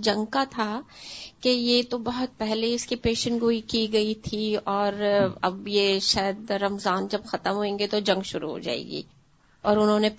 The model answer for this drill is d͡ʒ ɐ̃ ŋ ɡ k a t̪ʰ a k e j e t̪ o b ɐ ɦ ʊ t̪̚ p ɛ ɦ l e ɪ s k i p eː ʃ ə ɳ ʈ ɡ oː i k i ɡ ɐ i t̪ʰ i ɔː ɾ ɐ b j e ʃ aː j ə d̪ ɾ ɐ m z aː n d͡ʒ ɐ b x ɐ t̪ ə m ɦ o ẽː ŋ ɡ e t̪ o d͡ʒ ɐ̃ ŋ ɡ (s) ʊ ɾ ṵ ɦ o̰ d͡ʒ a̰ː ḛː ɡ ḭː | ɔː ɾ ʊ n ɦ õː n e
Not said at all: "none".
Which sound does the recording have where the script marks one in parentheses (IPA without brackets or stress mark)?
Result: ʃ